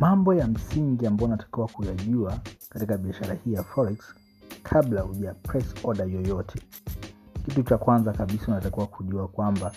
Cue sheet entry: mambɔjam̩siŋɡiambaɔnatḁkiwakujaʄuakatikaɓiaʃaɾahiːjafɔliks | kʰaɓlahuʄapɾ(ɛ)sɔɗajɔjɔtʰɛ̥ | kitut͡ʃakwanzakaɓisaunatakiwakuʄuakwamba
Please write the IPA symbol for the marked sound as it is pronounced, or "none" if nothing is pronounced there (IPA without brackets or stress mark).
ɛ